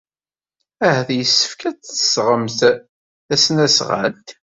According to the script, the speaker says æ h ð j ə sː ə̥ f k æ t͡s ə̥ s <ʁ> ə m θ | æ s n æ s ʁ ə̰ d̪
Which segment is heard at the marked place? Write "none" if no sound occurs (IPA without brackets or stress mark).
ʁ